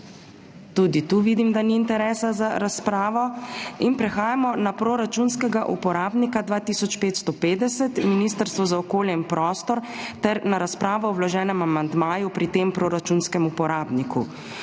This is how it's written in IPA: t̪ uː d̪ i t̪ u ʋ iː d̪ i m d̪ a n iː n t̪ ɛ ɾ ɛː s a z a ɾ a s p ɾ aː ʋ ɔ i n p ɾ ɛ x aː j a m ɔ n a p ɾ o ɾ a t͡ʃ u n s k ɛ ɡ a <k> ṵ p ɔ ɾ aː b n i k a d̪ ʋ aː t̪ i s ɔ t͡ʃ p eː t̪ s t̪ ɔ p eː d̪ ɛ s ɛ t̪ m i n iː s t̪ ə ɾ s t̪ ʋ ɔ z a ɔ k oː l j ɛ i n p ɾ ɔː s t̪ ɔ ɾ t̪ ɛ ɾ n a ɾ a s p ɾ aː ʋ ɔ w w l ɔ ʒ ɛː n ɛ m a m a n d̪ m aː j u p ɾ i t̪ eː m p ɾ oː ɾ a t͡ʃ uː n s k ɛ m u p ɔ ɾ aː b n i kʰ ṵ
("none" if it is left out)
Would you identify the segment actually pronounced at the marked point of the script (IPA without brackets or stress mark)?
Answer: ʔ